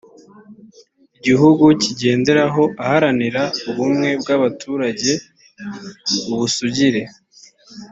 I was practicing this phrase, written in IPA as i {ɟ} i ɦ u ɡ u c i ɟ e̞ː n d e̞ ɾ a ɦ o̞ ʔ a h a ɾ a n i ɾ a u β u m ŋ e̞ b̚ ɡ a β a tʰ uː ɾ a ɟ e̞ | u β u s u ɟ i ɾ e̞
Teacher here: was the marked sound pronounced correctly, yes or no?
yes